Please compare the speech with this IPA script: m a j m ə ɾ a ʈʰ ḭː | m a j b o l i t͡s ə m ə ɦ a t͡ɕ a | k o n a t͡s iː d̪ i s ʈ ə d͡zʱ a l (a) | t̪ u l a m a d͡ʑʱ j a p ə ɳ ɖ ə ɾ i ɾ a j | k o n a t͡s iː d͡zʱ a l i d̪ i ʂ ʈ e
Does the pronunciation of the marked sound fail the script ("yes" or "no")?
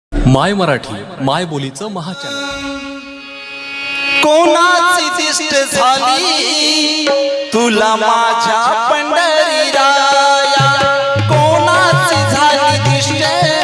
yes